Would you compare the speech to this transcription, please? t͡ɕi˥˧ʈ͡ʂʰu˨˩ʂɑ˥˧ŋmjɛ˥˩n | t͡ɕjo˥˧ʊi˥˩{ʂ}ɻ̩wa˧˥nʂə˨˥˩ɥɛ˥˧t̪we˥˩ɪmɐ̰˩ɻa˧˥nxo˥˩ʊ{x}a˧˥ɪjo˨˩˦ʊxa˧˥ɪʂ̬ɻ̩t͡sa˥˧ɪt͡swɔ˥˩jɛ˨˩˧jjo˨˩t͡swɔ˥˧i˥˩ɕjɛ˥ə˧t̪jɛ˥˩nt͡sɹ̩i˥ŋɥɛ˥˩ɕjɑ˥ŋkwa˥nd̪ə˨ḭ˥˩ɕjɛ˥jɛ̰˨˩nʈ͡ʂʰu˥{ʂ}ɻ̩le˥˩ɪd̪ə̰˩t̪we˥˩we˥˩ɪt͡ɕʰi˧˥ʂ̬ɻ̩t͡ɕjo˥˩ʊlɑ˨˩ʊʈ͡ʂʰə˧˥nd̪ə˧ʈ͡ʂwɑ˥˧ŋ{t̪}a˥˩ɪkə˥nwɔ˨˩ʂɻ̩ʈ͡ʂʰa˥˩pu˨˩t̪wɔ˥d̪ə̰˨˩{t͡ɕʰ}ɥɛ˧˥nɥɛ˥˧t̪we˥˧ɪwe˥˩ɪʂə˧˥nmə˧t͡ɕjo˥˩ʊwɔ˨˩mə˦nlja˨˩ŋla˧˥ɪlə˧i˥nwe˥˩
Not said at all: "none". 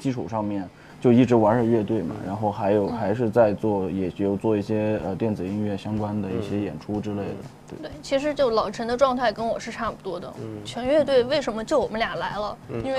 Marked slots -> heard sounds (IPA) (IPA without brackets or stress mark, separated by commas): ʈ͡ʂ, x, ʈ͡ʂ, t̪ʰ, t͡ɕʰ